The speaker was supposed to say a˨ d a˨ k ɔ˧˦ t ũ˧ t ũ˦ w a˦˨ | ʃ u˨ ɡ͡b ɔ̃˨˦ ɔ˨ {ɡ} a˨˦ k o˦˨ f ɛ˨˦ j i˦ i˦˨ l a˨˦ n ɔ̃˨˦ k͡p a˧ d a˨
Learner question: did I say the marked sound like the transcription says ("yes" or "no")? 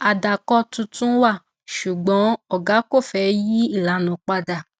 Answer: yes